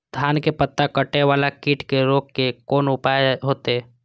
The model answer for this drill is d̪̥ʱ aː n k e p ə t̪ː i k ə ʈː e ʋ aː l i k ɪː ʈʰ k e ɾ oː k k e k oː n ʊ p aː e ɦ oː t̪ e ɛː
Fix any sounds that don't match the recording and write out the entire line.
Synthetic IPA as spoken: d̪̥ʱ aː n k e p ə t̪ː a k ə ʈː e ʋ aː l a k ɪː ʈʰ k e ɾ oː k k e k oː n ʊ p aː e ɦ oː t̪ e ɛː